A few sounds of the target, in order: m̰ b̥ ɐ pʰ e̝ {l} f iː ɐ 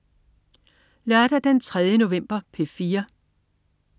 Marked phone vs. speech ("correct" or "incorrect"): incorrect